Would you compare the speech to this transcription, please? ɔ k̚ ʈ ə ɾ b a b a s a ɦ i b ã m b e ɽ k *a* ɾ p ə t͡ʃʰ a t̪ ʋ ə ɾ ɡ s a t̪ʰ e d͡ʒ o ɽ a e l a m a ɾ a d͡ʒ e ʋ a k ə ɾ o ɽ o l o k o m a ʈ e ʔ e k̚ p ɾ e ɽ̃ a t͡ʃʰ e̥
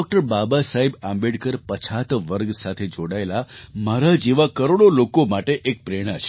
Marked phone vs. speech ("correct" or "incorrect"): incorrect